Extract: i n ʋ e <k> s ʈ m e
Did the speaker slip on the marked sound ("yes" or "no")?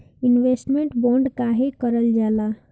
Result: yes